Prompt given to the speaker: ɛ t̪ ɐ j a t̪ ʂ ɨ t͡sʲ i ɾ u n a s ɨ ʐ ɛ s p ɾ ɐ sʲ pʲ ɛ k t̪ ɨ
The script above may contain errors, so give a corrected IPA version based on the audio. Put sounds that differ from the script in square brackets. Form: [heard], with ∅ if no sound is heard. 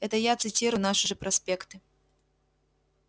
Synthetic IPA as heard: ɛ t̪ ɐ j a t̪ [s] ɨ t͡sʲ i ɾ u n a [ʂ] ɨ ʐ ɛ [∅] p ɾ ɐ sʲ pʲ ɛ k t̪ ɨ

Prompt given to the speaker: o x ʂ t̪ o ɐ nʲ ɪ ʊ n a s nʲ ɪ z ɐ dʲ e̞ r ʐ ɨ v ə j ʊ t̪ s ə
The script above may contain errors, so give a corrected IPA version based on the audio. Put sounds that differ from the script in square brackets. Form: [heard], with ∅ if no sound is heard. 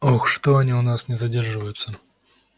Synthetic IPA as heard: o x ʂ t̪ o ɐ nʲ [i] ʊ n a s nʲ ɪ z ɐ dʲ e̞ r ʐ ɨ v ə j ʊ t̪ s ə

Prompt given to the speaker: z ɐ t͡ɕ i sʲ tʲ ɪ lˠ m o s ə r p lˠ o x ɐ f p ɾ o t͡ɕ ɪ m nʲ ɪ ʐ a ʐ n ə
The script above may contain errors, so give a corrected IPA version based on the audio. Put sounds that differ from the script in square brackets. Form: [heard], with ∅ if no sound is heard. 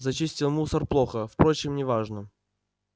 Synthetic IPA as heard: z ɐ t͡ɕ i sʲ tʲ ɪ lˠ m [u] s ə r p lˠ o x [ə] f p ɾ o t͡ɕ ɪ m nʲ ɪ [v] a ʐ n ə

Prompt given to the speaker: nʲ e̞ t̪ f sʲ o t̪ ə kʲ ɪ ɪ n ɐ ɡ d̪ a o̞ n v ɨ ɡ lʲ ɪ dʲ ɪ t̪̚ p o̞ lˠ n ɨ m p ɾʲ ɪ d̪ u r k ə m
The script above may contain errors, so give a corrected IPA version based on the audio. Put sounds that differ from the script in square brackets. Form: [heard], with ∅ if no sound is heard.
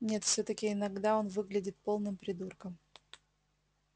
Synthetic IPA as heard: nʲ e̞ t̪ f sʲ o t̪ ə kʲ ɪ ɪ n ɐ ɡ d̪ a o̞ n v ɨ ɡ lʲ ɪ dʲ ɪ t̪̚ p o̞ lˠ n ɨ m p ɾʲ ɪ d̪ u r k ə m

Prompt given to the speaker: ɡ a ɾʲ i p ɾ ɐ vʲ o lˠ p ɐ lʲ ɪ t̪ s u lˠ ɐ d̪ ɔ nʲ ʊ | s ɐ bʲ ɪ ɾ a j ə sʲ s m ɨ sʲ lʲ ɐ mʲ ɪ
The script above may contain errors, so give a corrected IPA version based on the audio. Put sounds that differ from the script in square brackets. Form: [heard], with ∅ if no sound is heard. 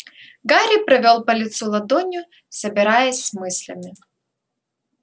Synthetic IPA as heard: ɡ a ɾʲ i p ɾ ɐ vʲ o lˠ p ɐ lʲ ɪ t̪ s u lˠ ɐ d̪ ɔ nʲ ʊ | s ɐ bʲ ɪ ɾ a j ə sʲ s m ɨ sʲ lʲ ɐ mʲ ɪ

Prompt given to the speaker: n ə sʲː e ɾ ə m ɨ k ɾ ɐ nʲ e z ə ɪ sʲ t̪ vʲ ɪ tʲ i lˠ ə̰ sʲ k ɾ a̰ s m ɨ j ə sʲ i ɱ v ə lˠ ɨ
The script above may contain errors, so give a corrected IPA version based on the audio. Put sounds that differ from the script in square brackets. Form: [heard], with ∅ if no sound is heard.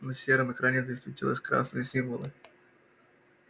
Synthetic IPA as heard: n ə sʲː e ɾ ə m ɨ k ɾ [a] nʲ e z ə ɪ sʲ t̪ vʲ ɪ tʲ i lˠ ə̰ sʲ k ɾ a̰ s [n] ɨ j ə sʲ i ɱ v ə lˠ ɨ

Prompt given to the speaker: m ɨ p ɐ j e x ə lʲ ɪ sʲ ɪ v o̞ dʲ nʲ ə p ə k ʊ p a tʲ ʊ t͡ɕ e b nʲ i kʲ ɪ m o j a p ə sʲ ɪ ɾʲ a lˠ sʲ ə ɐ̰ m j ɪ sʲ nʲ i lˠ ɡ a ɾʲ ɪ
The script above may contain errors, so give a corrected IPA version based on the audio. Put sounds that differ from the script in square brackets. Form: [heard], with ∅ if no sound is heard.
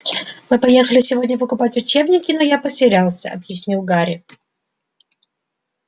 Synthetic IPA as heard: m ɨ p ɐ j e x ə lʲ ɪ sʲ ɪ v o̞ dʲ nʲ ə p ə k ʊ p a tʲ ʊ t͡ɕ e b nʲ [ɪ] kʲ ɪ [n] o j a p ə sʲ ɪ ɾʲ a lˠ sʲ ə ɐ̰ [b] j ɪ sʲ nʲ i lˠ ɡ a ɾʲ ɪ

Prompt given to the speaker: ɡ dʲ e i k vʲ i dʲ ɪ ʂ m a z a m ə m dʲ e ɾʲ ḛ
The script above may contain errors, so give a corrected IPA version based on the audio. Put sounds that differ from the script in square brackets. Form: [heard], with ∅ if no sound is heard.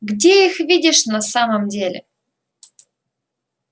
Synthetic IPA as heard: ɡ dʲ e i [x] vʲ i dʲ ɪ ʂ [n] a [s] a m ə m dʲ e [lʲ] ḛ

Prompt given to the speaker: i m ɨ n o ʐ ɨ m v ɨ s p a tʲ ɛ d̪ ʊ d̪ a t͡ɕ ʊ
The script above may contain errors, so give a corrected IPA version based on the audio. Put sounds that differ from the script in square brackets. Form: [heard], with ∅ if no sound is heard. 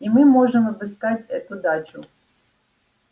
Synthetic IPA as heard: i m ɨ [m] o ʐ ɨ m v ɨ s [k] a tʲ ɛ [t̪] ʊ d̪ a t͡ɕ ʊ

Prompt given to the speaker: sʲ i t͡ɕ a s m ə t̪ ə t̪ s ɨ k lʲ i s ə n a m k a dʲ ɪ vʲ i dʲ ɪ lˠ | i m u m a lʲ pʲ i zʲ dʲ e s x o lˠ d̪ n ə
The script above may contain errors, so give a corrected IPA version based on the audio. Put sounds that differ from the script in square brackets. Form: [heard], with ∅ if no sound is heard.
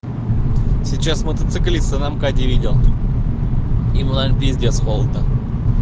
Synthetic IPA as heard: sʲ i t͡ɕ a s m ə t̪ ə t̪ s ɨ k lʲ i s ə n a m k a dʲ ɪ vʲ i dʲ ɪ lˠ | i m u [n] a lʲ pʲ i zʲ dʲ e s x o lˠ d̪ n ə

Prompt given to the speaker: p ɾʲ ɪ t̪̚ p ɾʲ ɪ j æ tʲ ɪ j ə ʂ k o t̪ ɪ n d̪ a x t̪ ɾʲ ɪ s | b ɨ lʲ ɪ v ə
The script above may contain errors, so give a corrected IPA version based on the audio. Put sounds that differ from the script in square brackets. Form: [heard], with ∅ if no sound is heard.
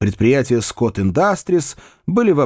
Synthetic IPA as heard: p ɾʲ ɪ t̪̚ p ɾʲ ɪ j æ tʲ ɪ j ə [s] k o t̪ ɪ n d̪ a [s] t̪ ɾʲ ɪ s | b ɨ lʲ ɪ v [ɐ]

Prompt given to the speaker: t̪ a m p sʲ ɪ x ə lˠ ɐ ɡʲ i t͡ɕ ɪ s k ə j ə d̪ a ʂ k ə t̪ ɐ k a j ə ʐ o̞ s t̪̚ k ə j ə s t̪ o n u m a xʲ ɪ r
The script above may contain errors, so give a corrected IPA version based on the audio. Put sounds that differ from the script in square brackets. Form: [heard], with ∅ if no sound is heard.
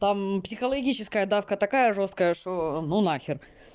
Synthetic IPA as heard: t̪ a m p sʲ ɪ x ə lˠ ɐ ɡʲ i t͡ɕ ɪ s k ə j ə d̪ a [f] k ə t̪ ɐ k a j ə ʐ o̞ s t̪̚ k ə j ə [ʂ] t̪ o n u [n] a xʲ ɪ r

